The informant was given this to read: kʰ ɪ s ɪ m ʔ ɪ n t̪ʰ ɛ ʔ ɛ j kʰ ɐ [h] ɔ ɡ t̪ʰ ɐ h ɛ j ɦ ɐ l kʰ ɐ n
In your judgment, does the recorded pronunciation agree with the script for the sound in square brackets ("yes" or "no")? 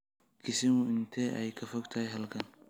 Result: no